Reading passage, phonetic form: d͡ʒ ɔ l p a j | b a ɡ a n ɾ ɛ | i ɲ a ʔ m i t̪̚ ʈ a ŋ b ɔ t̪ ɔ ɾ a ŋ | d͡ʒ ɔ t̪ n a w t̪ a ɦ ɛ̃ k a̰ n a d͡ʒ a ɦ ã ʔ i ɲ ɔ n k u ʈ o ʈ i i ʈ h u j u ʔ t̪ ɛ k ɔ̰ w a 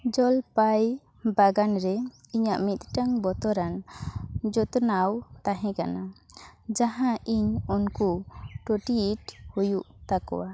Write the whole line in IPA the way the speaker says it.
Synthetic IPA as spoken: d͡ʒ ɔ l p a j | b a ɡ a n ɾ ɛ | i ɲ a ʔ m i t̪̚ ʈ a ŋ b ɔ t̪ ɔ ɾ a n | d͡ʒ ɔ t̪ n a w t̪ a ɦ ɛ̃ k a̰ n a d͡ʒ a ɦ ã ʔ i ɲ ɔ n k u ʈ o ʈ i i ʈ h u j u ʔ t̪ a k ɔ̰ w a